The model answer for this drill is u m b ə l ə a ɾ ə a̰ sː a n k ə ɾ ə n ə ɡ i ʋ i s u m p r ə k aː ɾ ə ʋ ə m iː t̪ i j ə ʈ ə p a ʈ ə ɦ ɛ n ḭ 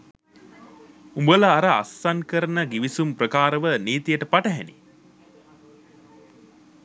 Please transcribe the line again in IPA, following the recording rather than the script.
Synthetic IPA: u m b ə l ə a ɾ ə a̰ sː a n k ə ɾ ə n ə ɡ i ʋ i s u m p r ə k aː ɾ ə ʋ ə n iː t̪ i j ə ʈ ə p a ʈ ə ɦ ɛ n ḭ